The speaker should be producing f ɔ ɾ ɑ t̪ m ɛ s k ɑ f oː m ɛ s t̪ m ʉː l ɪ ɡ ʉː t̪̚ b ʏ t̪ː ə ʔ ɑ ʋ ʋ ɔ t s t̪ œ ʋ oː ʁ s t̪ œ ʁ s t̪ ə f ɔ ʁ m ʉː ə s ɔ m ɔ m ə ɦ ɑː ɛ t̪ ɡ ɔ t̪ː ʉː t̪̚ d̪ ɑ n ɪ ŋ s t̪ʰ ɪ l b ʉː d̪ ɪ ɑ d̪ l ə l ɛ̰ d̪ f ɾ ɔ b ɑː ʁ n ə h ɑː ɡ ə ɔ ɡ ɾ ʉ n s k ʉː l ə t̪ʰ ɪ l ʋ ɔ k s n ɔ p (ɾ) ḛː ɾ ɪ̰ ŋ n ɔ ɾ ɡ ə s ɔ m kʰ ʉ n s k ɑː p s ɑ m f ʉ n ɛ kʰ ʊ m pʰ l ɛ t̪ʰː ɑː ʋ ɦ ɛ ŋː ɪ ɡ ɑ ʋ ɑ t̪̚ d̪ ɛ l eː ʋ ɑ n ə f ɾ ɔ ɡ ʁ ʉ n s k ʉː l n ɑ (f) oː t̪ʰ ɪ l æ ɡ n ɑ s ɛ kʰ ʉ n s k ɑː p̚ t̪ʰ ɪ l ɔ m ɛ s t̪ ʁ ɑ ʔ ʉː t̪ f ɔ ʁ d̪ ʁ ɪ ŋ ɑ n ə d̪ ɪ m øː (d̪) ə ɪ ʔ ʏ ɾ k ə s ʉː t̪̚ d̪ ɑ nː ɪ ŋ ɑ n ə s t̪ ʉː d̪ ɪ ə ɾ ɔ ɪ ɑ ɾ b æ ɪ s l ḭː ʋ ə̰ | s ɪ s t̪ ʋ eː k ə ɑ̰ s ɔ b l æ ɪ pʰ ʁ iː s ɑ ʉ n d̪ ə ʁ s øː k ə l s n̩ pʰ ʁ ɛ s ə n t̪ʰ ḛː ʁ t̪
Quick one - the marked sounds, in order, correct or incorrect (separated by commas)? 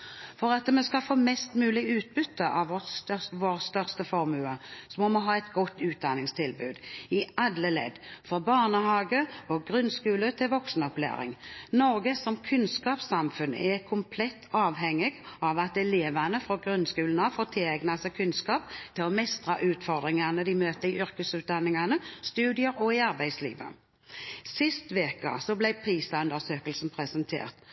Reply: incorrect, correct, incorrect